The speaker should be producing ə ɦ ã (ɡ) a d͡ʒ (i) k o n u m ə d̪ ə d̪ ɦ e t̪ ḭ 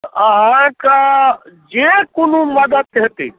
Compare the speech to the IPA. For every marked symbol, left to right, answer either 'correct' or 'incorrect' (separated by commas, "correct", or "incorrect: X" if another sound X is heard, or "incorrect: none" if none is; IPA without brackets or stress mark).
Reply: incorrect: k, incorrect: e